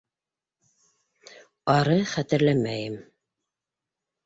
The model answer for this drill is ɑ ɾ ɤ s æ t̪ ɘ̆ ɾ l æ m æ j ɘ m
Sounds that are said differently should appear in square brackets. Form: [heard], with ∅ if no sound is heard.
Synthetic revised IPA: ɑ ɾ ɤ [χ] æ t̪ ɘ̆ ɾ l æ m æ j ɘ m